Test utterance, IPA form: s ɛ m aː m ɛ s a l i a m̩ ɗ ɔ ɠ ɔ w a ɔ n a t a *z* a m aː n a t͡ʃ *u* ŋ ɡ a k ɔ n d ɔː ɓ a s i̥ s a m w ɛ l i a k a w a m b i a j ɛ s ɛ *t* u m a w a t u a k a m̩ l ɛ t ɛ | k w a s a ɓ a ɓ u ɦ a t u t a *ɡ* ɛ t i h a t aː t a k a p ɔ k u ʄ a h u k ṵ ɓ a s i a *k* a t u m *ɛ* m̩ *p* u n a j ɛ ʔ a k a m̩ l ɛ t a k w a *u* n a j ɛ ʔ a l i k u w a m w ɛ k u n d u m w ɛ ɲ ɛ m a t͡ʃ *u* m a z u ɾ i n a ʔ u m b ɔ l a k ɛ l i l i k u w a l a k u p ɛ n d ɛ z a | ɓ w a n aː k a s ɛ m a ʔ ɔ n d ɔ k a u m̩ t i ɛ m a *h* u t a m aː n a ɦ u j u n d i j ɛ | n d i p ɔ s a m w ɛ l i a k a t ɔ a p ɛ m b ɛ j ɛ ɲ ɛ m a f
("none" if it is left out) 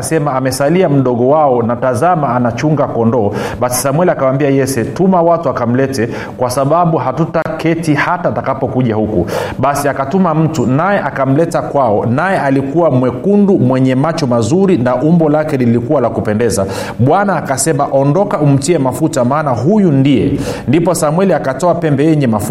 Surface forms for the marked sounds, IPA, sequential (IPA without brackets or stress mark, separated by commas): z, u, t, k, k, a, t, ɔ, ɔ, f